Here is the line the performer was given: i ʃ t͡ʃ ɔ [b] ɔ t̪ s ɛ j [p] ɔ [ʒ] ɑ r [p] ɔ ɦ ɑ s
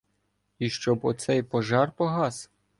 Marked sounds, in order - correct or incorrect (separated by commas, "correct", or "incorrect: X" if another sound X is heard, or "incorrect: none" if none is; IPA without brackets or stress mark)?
correct, correct, correct, correct